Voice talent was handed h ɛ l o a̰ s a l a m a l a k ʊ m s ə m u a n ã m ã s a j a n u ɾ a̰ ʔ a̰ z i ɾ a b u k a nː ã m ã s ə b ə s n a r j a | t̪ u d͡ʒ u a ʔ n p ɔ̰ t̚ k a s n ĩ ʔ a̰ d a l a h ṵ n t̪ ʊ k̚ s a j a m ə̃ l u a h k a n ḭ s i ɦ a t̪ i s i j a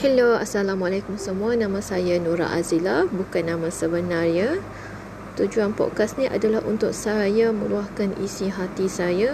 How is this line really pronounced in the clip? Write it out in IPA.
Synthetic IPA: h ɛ l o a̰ s a l a m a l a k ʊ m s ə m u a n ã m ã s a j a n u ɾ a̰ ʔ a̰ z i l a b u k a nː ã m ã s ə b ə n a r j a | t̪ u d͡ʒ u a n p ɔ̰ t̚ k a s n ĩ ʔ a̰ d a l a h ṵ n t̪ ʊ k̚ s a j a m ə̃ l u a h k a n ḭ s i ɦ a t̪ i s a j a